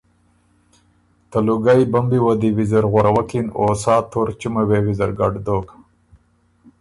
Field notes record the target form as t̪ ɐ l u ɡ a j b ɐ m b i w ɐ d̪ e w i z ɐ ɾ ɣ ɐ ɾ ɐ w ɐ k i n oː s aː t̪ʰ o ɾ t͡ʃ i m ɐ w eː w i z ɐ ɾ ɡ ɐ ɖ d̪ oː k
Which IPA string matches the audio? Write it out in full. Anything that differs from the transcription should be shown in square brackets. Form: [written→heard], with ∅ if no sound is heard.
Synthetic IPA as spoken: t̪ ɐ l u ɡ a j b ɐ m b i w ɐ d̪ [e→i] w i z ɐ ɾ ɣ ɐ ɾ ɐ w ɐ k i n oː s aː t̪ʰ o ɾ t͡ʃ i m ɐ w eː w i z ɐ ɾ ɡ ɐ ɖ d̪ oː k